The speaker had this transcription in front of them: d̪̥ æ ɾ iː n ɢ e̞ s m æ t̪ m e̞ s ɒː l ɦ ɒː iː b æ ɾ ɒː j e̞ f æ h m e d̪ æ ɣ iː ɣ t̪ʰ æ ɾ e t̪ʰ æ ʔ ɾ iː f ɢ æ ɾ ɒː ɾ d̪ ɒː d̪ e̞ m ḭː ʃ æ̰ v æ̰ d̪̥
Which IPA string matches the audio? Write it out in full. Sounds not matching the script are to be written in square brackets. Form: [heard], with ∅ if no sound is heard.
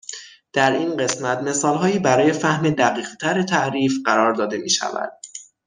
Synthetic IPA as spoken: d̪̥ æ ɾ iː n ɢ e̞ s m æ t̪ m e̞ s ɒː l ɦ ɒː iː b æ ɾ ɒː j e̞ f æ h m e d̪ æ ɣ iː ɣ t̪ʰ æ ɾ e t̪ʰ æ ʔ ɾ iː f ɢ æ ɾ ɒː ɾ d̪ ɒː d̪ e̞ m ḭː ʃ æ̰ v æ̰ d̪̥